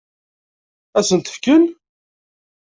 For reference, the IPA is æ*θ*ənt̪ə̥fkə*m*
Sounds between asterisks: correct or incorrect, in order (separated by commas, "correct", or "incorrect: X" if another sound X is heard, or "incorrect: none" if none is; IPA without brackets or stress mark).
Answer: incorrect: s, incorrect: n